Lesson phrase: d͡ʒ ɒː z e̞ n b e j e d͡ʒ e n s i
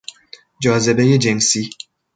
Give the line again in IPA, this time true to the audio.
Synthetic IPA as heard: d͡ʒ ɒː z e̞ b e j e d͡ʒ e n s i

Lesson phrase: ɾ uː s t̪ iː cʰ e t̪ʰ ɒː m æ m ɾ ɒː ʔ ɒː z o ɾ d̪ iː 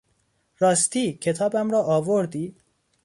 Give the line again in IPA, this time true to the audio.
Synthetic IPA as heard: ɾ ɒː s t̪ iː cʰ e t̪ʰ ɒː b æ m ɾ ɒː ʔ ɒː v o ɾ d̪ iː

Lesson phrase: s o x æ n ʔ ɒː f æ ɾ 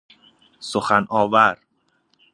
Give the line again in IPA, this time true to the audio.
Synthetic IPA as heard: s o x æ n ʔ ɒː v æ ɾ

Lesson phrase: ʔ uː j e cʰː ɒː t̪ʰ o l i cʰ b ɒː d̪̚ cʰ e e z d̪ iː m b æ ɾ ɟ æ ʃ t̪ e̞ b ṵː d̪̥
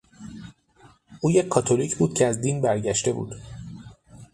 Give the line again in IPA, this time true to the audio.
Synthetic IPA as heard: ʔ uː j e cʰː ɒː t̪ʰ o l i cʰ b uː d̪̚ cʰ e æ z d̪ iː n b æ ɾ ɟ æ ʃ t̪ e̞ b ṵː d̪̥

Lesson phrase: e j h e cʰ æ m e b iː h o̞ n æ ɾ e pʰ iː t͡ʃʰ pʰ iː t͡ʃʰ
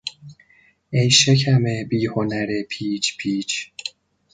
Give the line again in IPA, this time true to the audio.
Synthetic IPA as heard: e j ʃ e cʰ æ m e b iː h o̞ n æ ɾ e pʰ iː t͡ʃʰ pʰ iː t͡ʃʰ

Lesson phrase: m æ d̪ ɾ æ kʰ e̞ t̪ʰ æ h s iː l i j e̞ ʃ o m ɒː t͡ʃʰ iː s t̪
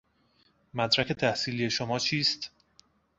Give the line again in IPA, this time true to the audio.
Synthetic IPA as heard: m æ d̪ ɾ æ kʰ e̞ t̪ʰ æ h s iː l i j e̞ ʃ o m ɒː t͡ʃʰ iː s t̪

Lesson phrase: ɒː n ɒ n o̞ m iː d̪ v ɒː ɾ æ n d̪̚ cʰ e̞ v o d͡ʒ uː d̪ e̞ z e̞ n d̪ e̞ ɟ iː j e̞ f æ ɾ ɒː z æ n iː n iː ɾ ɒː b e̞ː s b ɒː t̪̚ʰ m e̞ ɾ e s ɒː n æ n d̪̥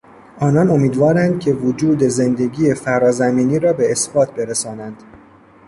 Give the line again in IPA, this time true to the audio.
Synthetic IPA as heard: ɒː n ɒ n o̞ m iː d̪ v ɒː ɾ æ n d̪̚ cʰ e̞ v o d͡ʒ uː d̪ e̞ z e̞ n d̪ e̞ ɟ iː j e̞ f æ ɾ ɒː z æ m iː n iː ɾ ɒː b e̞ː s b ɒː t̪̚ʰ b e̞ ɾ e s ɒː n æ n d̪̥

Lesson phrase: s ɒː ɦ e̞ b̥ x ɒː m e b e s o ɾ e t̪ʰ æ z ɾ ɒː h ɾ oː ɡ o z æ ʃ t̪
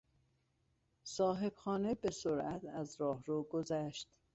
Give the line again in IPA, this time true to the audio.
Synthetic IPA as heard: s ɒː ɦ e̞ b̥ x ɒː n e b e s o ɾ æ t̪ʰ æ z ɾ ɒː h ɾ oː ɡ o z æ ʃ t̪

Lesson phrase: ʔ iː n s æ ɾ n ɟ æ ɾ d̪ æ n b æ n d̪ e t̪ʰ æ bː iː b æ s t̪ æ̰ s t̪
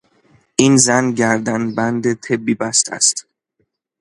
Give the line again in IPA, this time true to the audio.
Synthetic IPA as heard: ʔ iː n z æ n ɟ æ ɾ d̪ æ n b æ n d̪ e t̪ʰ e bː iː b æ s t̪ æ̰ s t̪

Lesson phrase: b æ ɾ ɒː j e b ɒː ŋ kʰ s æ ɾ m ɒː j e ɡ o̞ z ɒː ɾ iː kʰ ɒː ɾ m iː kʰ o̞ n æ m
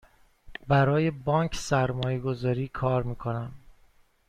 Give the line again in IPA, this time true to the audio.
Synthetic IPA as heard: b æ ɾ ɒː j e b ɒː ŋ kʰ s æ ɾ m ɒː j e ɡ o̞ z ɒː ɾ iː kʰ ɒː ɾ m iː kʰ o̞ n æ m

